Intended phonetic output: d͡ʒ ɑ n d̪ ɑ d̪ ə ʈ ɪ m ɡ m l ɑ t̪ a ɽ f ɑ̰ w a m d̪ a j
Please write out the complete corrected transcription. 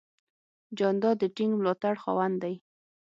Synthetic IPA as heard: d͡ʒ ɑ n d̪ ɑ d̪ ə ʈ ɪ ŋ ɡ m l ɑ t̪ a ɽ x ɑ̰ w a n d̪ a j